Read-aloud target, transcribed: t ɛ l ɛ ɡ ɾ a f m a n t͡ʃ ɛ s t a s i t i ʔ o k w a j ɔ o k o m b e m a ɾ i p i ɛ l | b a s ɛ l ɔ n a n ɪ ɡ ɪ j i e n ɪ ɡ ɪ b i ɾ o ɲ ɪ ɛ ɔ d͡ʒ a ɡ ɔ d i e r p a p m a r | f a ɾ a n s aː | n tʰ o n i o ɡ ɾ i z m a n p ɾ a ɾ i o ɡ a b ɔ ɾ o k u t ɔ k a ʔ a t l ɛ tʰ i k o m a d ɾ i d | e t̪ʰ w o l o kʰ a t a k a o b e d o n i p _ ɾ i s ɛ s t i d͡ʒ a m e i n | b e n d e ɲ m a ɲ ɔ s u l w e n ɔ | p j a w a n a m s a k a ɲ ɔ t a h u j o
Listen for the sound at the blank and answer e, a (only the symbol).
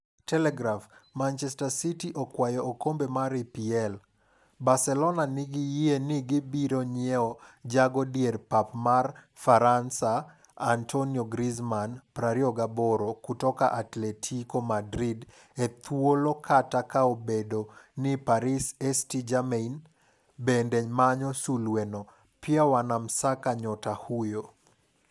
a